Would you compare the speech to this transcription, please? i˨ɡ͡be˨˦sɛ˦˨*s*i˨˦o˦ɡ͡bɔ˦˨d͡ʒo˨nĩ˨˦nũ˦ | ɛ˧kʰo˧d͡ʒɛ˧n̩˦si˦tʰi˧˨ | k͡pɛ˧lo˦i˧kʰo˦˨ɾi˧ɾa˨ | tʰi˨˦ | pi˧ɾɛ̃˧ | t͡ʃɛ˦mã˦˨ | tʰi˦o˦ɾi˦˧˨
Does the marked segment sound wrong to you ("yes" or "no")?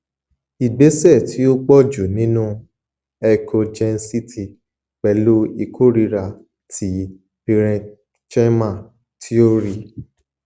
yes